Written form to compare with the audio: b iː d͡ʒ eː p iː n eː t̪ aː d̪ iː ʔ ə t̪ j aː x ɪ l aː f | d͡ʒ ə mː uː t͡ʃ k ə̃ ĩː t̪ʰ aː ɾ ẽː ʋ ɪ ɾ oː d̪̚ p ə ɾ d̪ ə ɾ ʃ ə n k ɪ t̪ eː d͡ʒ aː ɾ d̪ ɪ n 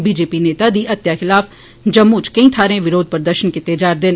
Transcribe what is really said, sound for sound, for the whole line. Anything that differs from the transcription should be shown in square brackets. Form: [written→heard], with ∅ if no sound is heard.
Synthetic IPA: b iː d͡ʒ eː p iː n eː t̪ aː d̪ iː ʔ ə t̪ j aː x ɪ l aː f | d͡ʒ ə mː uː t͡ʃ k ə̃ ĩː t̪ʰ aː ɾ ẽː ʋ ɪ ɾ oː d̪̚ p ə ɾ d̪ ə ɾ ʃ ə n k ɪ t̪ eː d͡ʒ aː ɾ d̪ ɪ n